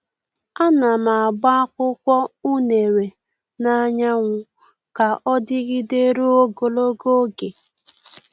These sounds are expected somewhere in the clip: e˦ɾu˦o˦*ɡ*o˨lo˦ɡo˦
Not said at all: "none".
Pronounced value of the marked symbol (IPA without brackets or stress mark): ɡ